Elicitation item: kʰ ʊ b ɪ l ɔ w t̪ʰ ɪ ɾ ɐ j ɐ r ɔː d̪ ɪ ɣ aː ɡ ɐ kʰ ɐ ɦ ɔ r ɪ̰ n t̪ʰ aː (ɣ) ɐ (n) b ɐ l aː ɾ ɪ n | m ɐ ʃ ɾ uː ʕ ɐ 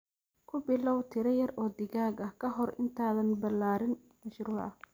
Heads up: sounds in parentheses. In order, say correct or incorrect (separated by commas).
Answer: incorrect, correct